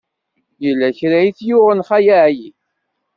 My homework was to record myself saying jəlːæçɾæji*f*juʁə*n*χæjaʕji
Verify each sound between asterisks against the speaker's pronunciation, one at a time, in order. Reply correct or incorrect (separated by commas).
incorrect, correct